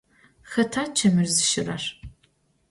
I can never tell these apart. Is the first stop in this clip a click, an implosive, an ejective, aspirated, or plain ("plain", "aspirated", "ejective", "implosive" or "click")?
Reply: aspirated